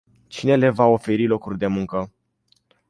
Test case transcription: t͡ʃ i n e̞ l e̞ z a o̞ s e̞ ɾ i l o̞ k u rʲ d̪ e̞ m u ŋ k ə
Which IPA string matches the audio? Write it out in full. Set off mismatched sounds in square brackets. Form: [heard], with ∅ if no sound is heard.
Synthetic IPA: t͡ʃ i n e̞ l e̞ [v] a o̞ [f] e̞ ɾ i l o̞ k u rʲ d̪ e̞ m u ŋ k ə

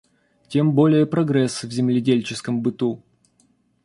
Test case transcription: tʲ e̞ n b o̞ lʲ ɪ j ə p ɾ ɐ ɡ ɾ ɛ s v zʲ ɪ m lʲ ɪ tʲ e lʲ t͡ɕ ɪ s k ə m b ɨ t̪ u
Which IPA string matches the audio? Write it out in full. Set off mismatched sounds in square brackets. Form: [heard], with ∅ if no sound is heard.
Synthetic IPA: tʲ e̞ [m] b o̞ lʲ ɪ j ə p ɾ ɐ ɡ ɾ ɛ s v zʲ ɪ m lʲ ɪ [dʲ] e lʲ t͡ɕ ɪ s k ə m b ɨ t̪ u

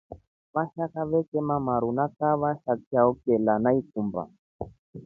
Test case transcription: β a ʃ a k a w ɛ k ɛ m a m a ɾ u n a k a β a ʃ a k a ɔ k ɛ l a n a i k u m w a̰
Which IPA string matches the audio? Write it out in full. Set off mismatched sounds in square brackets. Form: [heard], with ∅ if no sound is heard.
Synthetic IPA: β a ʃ a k a [β] ɛ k ɛ m a m a ɾ u n a k a β a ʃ a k a ɔ k ɛ l a n a i k u m [b] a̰

